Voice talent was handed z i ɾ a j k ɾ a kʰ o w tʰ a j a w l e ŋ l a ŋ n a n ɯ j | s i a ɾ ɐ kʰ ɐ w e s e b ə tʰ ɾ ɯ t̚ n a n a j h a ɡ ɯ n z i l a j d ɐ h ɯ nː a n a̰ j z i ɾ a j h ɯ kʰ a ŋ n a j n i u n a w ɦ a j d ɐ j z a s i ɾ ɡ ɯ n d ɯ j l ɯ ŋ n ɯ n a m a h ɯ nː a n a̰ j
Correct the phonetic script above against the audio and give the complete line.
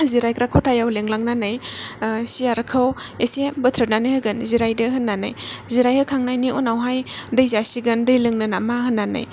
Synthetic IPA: z i ɾ a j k ɾ a kʰ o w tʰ a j a w l e ŋ l a ŋ n a n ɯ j | s i a ɾ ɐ kʰ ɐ w e s e b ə tʰ ɾ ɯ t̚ n a n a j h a ɡ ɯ n z i ɾ a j d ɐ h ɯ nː a n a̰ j z i ɾ a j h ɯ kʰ a ŋ n a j n i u n a w ɦ a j d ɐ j z a s i ɡ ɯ n d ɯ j l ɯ ŋ n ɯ n a m a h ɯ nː a n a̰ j